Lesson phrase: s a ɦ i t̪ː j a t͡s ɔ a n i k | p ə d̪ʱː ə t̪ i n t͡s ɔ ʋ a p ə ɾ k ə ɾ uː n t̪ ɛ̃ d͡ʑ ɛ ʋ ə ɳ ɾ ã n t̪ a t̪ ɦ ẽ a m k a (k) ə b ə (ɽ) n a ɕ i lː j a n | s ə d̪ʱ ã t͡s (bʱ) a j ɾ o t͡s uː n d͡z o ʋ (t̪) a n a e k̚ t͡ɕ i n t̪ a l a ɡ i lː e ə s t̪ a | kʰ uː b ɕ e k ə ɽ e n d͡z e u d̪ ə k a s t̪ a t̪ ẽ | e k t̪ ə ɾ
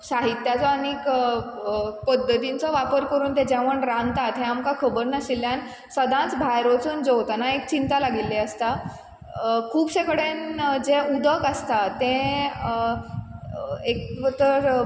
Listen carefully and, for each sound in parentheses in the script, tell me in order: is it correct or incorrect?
incorrect: kʰ, incorrect: ɾ, correct, correct

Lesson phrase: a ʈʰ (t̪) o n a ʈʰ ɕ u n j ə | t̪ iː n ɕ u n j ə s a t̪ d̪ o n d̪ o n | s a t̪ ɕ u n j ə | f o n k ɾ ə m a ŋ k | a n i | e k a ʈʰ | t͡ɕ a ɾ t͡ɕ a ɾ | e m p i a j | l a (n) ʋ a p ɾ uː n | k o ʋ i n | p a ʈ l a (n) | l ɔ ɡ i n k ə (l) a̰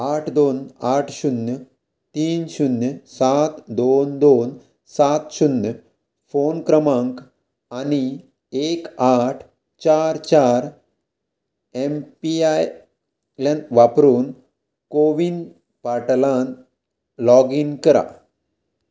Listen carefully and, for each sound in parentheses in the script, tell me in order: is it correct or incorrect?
incorrect: d̪, correct, correct, incorrect: ɾ

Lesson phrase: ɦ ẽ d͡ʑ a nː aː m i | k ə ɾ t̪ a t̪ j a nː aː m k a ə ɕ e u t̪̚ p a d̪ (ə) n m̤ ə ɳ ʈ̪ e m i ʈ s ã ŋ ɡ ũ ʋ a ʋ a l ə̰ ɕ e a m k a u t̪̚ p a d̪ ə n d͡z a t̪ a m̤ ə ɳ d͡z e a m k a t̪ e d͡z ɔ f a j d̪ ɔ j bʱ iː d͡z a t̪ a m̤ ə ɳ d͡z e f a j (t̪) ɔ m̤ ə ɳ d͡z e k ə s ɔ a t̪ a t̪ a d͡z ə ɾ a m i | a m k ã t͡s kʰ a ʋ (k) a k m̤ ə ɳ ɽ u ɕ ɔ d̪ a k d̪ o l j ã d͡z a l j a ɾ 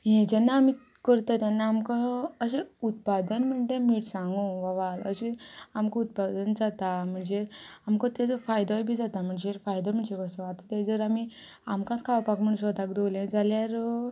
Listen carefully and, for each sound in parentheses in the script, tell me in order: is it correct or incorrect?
correct, incorrect: d̪, incorrect: p

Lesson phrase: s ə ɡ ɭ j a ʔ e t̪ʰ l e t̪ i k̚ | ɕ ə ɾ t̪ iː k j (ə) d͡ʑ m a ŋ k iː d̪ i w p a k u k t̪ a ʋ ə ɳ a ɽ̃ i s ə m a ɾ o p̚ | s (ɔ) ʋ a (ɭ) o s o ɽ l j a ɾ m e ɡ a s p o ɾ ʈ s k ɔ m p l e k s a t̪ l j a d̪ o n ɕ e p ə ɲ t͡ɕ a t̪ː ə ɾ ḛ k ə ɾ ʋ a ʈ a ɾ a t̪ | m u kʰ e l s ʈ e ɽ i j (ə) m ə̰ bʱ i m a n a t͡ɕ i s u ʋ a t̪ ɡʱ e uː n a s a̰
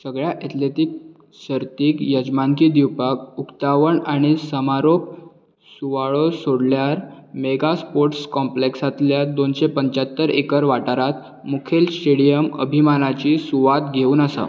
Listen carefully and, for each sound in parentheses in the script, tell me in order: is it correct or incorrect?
correct, incorrect: u, correct, correct

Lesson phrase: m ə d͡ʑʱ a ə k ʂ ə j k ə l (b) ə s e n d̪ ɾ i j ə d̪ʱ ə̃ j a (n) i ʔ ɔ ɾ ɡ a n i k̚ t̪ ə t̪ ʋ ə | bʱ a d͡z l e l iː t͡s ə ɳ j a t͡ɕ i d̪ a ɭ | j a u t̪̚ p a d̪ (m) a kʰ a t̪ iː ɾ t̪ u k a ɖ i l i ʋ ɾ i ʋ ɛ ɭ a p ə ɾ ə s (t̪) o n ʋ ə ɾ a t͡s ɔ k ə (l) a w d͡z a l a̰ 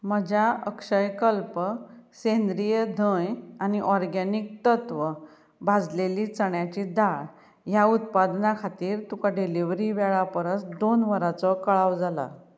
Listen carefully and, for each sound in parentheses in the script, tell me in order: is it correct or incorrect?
incorrect: p, correct, incorrect: n, incorrect: d̪, incorrect: ɭ

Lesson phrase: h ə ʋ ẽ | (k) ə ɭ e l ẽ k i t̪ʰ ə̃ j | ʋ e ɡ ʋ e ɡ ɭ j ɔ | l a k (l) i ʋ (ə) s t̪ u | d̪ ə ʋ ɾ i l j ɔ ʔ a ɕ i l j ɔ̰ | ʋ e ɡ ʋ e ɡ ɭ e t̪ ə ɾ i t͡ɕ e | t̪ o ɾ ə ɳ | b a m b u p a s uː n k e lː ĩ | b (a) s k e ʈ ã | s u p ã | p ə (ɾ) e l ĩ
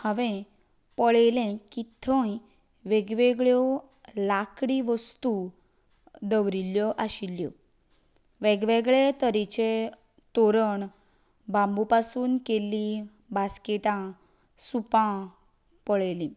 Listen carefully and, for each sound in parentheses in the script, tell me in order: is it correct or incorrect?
incorrect: p, incorrect: ɽ, correct, correct, incorrect: ɭ

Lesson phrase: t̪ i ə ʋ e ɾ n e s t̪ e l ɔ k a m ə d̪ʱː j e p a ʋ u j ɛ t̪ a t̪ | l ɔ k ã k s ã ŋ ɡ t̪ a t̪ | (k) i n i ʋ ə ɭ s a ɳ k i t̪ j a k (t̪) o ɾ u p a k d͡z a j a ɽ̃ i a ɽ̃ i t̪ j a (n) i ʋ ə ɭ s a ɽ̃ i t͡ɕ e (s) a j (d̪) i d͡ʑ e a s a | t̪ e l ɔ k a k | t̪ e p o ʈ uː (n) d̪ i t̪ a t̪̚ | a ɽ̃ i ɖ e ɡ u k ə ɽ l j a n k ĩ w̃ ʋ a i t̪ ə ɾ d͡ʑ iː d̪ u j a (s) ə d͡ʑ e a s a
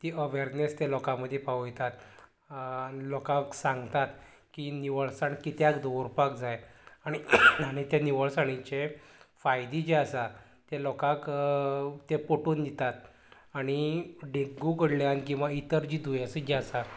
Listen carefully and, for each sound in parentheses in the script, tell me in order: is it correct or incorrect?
correct, incorrect: d̪, correct, incorrect: f, correct, correct, correct

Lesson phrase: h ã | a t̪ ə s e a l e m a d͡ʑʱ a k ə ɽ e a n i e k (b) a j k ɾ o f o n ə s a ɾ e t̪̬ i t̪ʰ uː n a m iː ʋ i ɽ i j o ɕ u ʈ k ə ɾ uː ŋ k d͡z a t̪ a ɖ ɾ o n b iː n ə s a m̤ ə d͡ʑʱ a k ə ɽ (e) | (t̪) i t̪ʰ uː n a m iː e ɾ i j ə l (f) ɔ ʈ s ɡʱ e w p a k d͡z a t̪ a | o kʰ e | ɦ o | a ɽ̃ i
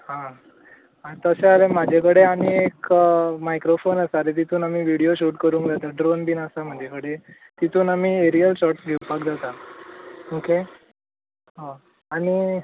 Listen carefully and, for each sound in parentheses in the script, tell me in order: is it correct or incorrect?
incorrect: m, correct, correct, incorrect: ɕ

